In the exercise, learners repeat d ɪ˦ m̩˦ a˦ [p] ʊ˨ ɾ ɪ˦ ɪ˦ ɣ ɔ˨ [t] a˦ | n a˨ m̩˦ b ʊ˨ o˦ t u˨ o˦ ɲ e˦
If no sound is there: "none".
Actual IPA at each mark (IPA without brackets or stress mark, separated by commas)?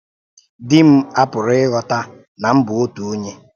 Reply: p, t